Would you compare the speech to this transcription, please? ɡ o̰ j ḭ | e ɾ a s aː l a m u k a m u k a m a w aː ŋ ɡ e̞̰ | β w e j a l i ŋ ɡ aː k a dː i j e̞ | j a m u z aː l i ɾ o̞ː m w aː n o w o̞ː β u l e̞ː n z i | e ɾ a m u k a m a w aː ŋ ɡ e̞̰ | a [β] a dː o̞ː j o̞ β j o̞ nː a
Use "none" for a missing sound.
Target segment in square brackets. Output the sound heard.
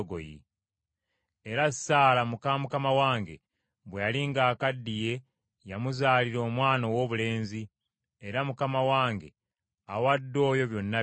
w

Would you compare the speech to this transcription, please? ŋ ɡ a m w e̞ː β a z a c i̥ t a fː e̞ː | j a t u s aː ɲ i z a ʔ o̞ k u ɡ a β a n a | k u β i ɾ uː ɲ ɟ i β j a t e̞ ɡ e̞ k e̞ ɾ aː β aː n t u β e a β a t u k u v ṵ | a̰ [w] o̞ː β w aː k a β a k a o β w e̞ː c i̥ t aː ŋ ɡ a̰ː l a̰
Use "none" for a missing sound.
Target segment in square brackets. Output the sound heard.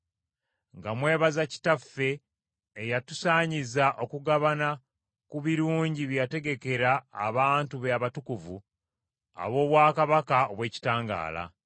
β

